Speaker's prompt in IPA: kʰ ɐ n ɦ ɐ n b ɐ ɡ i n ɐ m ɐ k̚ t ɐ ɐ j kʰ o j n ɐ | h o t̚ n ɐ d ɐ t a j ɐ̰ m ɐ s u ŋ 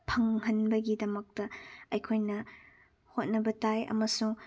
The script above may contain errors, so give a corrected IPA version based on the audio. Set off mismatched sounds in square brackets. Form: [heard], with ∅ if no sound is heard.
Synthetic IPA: [pʰ] ɐ [ŋ] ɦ ɐ n b ɐ ɡ i [d] ɐ m ɐ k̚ t ɐ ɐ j kʰ o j n ɐ | h o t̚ n ɐ [b] ɐ t a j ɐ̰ m ɐ s u ŋ